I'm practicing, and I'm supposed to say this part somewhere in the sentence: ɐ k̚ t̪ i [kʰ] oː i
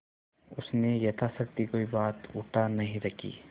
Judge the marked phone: incorrect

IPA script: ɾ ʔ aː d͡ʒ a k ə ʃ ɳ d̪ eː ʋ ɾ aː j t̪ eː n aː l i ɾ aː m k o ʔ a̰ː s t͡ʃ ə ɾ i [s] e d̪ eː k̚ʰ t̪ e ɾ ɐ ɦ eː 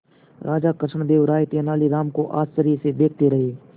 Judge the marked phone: correct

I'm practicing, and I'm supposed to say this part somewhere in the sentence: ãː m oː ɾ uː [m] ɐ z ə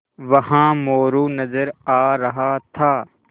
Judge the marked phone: incorrect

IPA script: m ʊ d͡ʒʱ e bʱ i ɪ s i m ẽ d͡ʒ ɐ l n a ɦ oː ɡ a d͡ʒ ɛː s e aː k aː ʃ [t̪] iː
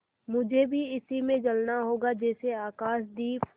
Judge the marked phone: incorrect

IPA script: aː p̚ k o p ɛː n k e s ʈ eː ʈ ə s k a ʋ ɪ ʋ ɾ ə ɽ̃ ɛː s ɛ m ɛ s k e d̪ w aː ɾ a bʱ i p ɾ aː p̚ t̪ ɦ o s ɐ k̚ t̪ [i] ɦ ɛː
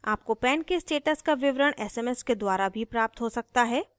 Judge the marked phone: incorrect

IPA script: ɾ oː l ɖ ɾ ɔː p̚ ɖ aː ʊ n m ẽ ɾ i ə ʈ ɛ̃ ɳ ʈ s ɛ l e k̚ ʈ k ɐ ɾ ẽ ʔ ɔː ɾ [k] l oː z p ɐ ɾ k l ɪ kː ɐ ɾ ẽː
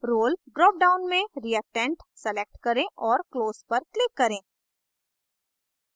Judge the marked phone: correct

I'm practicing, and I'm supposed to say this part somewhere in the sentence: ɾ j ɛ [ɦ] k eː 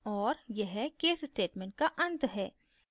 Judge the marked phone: correct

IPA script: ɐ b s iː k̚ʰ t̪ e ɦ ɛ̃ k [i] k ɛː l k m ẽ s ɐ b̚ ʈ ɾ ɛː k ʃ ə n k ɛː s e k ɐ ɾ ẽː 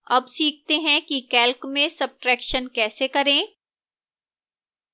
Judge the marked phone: correct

